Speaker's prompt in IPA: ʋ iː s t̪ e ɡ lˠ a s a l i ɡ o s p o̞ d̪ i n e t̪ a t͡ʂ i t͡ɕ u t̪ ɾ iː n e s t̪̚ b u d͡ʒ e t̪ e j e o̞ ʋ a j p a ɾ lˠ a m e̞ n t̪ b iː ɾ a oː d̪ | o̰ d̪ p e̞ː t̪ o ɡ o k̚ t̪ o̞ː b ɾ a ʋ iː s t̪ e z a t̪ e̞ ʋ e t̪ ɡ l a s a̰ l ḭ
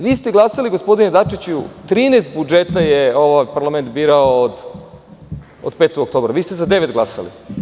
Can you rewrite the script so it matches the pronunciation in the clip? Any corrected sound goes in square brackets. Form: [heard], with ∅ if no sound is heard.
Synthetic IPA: ʋ iː s t̪ e ɡ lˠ a s a l i ɡ o s p o̞ d̪ i n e [d̪] a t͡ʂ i t͡ɕ u t̪ ɾ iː n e s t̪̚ b u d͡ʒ e t̪ [a] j e o̞ ʋ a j p a ɾ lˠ a m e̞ n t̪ b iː ɾ a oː d̪ | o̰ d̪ p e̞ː t̪ o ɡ o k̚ t̪ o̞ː b ɾ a ʋ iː s t̪ e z a [d̪] e̞ ʋ e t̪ ɡ l a s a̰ l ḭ